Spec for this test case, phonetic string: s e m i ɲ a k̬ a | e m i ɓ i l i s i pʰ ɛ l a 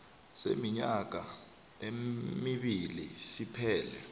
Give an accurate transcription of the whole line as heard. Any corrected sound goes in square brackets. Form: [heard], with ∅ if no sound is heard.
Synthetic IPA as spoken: s e m i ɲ a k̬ a | e m i ɓ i l i s i pʰ [ɛː] l [ɛ]

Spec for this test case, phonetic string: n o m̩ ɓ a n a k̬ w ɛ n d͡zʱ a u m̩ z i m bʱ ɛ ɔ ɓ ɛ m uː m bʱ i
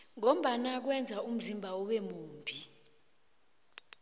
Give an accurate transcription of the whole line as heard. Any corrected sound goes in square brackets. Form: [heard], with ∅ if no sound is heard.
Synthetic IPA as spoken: [ŋ] o m̩ ɓ a n a k̬ w ɛ n d͡zʱ a u m̩ z i m bʱ [a] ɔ ɓ ɛ m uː m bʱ i

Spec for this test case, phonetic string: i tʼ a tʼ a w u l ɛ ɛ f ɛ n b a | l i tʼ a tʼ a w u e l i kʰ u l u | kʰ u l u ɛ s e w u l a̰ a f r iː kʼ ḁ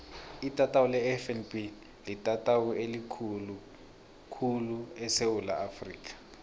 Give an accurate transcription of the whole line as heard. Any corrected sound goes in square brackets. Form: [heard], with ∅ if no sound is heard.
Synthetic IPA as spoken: i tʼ a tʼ a w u l ɛ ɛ f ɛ n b [i] | l i tʼ a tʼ a w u e l i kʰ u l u | kʰ u l u ɛ s e w u l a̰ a f r iː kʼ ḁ

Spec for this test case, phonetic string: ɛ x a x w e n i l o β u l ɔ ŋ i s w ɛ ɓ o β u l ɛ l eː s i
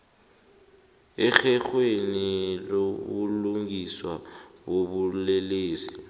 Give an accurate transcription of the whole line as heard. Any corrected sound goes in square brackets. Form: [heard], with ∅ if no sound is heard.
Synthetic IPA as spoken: ɛ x [ɛ] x w e n i l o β u l [u] ŋ i s w [a] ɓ o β u l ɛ l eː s i

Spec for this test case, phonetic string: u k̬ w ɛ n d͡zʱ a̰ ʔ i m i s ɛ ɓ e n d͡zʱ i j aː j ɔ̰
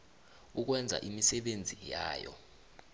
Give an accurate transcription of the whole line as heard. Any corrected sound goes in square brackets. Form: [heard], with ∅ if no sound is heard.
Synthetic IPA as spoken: u k̬ w ɛ n d͡zʱ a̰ ʔ i m i s ɛ ɓ e n d͡zʱ i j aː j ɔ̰

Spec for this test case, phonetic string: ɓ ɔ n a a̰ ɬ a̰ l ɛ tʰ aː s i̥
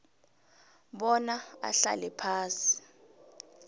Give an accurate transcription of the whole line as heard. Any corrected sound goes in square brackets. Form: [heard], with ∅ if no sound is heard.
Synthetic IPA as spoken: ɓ ɔ n a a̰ ɬ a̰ l ɛ [pʰ] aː s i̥

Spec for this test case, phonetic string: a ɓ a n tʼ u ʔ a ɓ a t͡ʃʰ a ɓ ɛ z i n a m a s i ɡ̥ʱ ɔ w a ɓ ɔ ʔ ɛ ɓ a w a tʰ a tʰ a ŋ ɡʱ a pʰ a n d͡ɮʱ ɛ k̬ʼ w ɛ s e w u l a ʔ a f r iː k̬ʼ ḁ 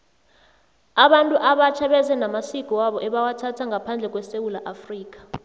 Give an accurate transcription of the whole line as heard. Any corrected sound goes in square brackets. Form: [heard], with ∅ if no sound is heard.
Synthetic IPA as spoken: a ɓ a n tʼ u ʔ a ɓ a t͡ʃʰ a ɓ ɛ z [ɛ] n a m a s i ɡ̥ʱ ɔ w a ɓ ɔ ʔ ɛ ɓ a w a tʰ a tʰ a ŋ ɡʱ a pʰ a n d͡ɮʱ ɛ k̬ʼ w ɛ s e w u l a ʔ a f r iː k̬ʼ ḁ

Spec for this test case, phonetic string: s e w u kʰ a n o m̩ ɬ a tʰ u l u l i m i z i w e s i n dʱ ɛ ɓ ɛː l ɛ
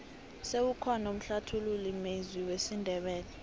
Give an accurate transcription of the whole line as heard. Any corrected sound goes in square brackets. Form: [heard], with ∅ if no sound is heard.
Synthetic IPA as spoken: s e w u kʰ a n o m̩ ɬ a tʰ u l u l i m [e] z i w e s i n dʱ ɛ ɓ ɛː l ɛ

